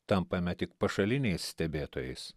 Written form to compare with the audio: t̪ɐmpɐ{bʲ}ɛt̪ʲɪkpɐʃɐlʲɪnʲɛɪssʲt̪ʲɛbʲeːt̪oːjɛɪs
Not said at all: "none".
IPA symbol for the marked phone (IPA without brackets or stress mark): mʲ